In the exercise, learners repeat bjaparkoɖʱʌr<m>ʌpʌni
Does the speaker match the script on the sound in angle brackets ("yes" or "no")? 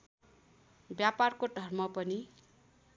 yes